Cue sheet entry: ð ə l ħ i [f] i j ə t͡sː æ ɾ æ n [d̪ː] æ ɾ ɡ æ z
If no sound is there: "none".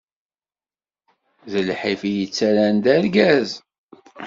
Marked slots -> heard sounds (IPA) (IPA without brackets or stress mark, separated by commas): f, d̪